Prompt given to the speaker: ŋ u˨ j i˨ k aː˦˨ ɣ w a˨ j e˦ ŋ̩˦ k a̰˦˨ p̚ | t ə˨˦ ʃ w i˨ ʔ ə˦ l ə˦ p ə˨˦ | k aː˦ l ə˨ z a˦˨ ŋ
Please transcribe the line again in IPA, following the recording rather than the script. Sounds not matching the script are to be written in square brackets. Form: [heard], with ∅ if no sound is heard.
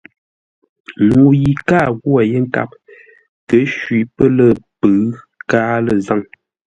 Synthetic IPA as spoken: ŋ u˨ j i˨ k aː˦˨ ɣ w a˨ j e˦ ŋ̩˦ k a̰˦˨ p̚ | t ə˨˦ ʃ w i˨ [p] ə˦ l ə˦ p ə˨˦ | k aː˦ l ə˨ z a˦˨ ŋ